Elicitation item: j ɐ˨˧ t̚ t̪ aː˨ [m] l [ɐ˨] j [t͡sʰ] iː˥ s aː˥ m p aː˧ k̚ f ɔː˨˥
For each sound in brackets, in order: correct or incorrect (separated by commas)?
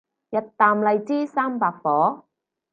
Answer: correct, correct, incorrect